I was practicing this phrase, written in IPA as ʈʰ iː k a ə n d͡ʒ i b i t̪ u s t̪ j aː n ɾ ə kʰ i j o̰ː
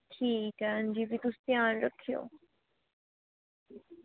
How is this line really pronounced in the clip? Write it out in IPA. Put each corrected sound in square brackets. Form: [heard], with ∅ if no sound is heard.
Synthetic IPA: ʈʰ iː k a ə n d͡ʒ i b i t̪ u s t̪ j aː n ɾ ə kʰ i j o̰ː